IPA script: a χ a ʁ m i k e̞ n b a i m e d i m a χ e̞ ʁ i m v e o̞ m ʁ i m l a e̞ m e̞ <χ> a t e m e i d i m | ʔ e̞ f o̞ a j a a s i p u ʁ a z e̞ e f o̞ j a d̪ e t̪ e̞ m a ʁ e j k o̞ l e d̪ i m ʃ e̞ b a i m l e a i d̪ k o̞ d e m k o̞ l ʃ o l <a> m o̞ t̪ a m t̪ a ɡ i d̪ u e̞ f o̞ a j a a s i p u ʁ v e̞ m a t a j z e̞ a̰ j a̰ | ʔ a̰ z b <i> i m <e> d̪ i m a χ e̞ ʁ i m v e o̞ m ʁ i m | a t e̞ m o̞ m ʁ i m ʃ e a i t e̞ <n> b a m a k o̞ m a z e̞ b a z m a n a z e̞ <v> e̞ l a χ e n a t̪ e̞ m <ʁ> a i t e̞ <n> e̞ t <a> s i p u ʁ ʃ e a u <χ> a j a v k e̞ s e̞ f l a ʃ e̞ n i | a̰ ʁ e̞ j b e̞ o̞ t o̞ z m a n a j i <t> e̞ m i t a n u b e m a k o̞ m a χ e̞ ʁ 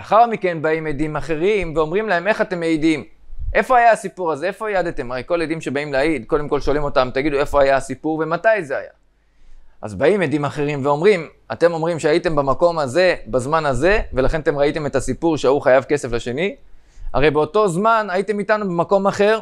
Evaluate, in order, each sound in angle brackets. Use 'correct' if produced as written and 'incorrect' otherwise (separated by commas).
correct, incorrect, incorrect, correct, incorrect, correct, correct, incorrect, correct, correct, correct